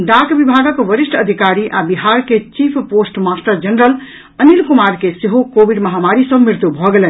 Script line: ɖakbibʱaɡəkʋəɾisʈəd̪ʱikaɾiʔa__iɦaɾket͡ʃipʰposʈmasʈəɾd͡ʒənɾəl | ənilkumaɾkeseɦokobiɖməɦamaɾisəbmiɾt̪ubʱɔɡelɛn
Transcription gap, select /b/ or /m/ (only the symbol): b